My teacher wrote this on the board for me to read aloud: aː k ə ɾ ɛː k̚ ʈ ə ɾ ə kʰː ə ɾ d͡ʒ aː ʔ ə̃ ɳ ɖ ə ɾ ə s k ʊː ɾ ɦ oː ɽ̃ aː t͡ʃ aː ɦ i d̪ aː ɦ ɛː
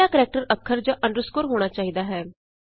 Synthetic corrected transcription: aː k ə ɾ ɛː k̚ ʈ ə ɾ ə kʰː ə ɾ d͡ʒ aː ʔ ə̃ ɳ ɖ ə ɾ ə s k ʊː ɾ ɦ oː ɽ̃ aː t͡ʃ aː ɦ i d̪ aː ɦ ɛː